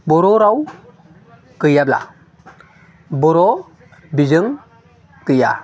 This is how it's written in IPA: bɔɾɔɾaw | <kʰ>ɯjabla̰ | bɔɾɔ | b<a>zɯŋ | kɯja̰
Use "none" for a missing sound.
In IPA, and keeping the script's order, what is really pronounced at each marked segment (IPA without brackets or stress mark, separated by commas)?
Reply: k, i